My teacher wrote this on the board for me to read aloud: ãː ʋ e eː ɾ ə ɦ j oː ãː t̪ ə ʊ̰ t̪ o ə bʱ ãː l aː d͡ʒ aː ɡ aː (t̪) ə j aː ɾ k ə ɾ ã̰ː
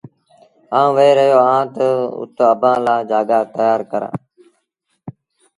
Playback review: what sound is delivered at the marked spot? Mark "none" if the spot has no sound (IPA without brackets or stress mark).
t̪